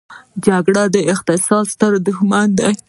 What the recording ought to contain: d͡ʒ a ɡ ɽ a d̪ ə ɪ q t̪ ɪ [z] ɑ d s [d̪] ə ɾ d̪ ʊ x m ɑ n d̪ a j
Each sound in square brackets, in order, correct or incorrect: incorrect, incorrect

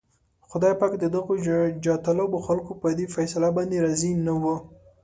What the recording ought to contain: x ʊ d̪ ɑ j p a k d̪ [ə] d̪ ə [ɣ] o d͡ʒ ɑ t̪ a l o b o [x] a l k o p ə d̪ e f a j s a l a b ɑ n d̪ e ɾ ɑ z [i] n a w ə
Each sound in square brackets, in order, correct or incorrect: correct, correct, correct, correct

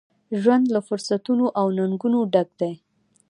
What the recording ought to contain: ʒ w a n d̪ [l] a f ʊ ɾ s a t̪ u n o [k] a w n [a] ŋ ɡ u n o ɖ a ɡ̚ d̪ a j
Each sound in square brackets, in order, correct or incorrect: correct, incorrect, correct

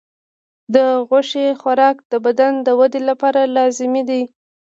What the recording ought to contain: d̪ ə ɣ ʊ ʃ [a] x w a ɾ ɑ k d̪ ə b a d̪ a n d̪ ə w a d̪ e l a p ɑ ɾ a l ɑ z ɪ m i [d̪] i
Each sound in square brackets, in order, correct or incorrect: incorrect, correct

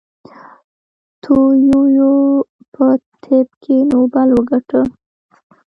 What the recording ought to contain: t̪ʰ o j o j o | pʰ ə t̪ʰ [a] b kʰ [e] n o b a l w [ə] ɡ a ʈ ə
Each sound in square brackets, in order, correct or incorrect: incorrect, correct, correct

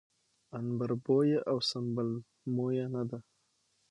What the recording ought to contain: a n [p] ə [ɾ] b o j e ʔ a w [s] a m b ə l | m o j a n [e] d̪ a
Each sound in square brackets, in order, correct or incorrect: incorrect, correct, correct, incorrect

